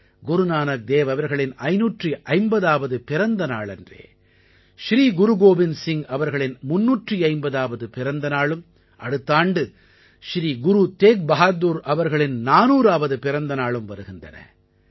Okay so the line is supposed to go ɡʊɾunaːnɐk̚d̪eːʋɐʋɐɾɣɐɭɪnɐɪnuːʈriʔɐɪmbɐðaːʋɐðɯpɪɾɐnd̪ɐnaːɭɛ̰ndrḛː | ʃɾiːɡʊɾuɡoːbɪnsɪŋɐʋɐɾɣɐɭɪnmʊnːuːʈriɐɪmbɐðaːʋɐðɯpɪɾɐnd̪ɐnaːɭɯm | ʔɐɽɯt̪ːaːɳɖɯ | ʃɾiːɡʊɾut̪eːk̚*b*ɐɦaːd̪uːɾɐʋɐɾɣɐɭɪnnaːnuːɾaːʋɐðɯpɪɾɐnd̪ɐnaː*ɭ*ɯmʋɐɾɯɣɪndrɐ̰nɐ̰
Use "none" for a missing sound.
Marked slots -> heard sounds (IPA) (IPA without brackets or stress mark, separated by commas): b, ɭ